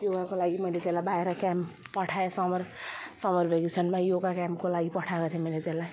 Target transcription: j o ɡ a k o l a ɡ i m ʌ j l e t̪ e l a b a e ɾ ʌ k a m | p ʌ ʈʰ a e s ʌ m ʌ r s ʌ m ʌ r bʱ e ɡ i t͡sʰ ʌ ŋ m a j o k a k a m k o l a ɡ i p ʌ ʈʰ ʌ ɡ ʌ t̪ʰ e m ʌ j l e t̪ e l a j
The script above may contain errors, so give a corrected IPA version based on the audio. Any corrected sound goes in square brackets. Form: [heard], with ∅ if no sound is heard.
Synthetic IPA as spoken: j o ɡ a k o l a ɡ i m ʌ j l e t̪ e l a b a e ɾ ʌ k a m | p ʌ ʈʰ a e s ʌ m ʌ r s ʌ m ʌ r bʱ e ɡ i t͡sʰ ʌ [n] m a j o [ɡ] a k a m k o l a ɡ i p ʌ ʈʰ [a] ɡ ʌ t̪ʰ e m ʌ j l e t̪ e l a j

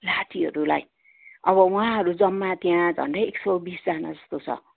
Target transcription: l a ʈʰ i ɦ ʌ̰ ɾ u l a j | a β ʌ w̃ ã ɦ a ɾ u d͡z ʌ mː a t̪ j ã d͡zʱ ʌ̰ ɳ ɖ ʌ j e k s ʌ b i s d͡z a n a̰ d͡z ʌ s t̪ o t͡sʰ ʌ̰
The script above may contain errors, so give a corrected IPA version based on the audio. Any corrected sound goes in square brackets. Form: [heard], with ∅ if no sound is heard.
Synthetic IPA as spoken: l a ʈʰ i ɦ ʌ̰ ɾ u l a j | [ʌ] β ʌ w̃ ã ɦ [ʌ] ɾ u d͡z ʌ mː a t̪ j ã d͡zʱ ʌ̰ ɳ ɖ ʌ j e k s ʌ b i s d͡z a n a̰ d͡z ʌ s t̪ o t͡sʰ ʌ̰

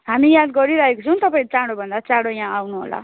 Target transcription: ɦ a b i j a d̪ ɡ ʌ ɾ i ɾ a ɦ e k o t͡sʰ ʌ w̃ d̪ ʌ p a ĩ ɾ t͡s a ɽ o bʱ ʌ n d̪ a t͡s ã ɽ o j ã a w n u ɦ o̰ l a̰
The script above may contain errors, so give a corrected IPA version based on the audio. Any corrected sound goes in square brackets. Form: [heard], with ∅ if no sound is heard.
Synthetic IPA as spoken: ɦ a [m] i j a d̪ ɡ ʌ ɾ i ɾ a ɦ e k o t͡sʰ ʌ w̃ [t̪] ʌ p a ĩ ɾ t͡s a ɽ o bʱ ʌ n d̪ a t͡s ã ɽ o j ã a w n u ɦ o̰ l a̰

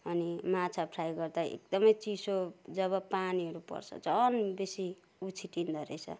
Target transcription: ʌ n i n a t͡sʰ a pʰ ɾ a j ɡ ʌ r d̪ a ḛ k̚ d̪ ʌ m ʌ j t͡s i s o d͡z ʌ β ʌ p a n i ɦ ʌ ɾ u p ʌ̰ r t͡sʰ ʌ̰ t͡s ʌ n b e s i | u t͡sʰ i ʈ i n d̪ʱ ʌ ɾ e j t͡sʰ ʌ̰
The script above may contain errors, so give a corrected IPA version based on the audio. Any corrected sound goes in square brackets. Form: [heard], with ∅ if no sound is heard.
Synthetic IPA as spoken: ʌ n i [m] a t͡sʰ a pʰ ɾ a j ɡ ʌ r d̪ a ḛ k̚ d̪ ʌ m ʌ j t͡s i s o d͡z ʌ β ʌ p a n i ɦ ʌ ɾ u p ʌ̰ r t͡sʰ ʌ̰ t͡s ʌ n b e s i | u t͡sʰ i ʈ i n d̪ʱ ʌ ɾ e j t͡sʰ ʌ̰

